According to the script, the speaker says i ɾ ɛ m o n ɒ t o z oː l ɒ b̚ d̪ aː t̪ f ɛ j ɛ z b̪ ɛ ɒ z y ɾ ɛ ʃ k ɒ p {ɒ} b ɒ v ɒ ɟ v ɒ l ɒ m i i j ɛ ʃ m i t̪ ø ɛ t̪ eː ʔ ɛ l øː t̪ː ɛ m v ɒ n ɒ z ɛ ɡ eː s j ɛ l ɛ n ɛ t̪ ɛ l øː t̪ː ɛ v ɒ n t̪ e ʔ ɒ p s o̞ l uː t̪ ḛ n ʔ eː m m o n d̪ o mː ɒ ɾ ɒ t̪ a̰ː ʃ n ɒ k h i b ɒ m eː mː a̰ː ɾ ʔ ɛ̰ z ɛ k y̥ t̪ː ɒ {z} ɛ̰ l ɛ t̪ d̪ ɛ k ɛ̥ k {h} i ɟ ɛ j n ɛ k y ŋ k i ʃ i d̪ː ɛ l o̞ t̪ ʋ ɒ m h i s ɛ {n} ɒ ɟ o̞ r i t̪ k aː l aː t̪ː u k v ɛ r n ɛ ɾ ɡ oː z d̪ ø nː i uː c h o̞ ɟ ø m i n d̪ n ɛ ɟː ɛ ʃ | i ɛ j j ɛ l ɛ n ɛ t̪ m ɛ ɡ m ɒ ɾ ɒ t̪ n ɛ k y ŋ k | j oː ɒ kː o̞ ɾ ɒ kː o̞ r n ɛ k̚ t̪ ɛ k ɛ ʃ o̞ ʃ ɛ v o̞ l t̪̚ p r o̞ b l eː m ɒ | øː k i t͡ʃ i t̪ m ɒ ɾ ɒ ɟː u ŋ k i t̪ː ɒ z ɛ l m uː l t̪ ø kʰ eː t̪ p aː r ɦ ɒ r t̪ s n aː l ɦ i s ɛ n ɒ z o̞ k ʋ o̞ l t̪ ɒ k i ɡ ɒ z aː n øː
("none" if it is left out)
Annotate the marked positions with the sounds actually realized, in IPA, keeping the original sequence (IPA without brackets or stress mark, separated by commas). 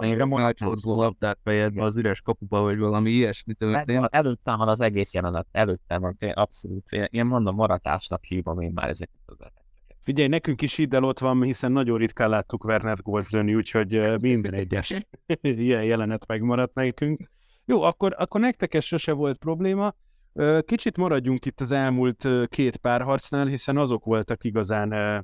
u, z, f, nː